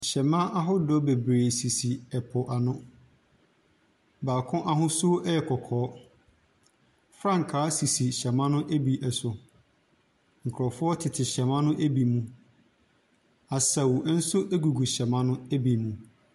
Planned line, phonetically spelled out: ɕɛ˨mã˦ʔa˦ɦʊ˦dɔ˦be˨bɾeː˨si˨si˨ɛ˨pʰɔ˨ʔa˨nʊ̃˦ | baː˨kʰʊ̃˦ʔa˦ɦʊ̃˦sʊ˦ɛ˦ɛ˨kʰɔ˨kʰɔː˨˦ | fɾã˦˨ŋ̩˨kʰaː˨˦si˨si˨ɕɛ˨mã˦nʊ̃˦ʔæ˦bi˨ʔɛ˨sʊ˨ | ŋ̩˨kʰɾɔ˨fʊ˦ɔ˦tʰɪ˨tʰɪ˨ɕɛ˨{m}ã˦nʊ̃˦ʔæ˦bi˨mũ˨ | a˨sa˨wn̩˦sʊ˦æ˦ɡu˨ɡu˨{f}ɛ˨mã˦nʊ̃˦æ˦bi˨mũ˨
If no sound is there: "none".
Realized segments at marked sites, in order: m, ɕ

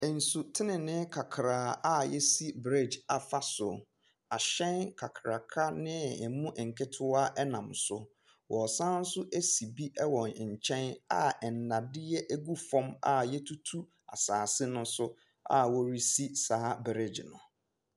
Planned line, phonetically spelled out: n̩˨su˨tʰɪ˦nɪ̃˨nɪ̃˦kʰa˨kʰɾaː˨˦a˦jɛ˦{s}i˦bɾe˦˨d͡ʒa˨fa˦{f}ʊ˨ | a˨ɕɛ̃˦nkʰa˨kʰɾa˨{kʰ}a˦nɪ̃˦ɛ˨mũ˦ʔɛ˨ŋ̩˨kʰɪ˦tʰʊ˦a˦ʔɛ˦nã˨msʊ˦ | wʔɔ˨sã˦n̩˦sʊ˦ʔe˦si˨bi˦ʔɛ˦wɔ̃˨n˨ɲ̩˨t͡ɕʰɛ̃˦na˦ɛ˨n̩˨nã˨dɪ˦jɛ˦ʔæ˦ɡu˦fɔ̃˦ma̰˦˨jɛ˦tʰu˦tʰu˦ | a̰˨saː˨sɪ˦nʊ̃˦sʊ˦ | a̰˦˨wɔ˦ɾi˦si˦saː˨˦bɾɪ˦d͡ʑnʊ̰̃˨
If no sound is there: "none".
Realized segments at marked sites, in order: s, s, kʰ

